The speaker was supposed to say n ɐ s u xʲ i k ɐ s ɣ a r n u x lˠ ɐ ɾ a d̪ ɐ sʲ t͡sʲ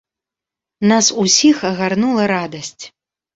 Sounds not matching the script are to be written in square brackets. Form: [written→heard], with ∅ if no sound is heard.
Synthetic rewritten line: n [ɐ→a] s u [xʲ→sʲ] i [k→x] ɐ [s→∅] ɣ a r n u [x→∅] lˠ ɐ ɾ a d̪ ɐ sʲ t͡sʲ

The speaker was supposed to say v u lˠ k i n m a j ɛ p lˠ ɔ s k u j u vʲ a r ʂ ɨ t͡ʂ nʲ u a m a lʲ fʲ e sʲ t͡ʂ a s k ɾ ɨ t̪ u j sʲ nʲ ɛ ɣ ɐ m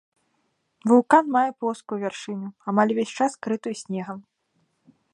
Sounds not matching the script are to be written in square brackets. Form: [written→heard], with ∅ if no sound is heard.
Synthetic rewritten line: v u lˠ k [i→a] n m a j ɛ p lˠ ɔ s k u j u vʲ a r ʂ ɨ [t͡ʂ→∅] nʲ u a m a lʲ [fʲ→vʲ] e sʲ t͡ʂ a s k ɾ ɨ t̪ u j sʲ nʲ ɛ ɣ ɐ m

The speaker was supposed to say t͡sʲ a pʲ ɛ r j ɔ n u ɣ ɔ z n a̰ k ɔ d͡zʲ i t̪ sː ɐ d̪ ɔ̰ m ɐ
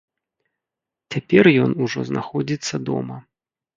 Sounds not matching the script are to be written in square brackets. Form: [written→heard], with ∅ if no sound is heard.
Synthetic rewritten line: t͡sʲ a pʲ ɛ r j ɔ n u [ɣ→ʐ] ɔ z n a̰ [k→x] ɔ d͡zʲ i t̪ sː ɐ d̪ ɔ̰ m ɐ

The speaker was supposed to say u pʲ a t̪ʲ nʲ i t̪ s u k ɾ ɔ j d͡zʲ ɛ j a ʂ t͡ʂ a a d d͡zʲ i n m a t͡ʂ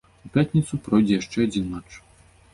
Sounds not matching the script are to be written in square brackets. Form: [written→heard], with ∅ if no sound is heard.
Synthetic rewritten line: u pʲ a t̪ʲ nʲ i t̪ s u [k→p] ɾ ɔ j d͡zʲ ɛ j a ʂ t͡ʂ [a→ɛ] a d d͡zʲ i n m a t͡ʂ

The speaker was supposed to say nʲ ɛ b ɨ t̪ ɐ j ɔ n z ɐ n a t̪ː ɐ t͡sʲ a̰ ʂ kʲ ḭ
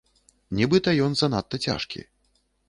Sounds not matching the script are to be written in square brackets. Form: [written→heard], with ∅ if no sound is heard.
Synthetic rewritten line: nʲ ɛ b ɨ t̪ ɐ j ɔ n z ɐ n a t̪ː ɐ t͡sʲ a̰ ʂ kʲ ḭ

